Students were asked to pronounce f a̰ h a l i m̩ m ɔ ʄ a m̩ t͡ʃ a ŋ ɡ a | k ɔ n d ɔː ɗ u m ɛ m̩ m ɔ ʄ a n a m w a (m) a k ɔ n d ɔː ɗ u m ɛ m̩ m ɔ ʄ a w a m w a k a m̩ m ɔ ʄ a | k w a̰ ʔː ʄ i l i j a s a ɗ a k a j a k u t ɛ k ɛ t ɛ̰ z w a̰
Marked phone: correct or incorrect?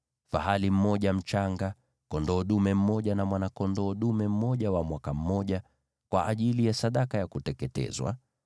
incorrect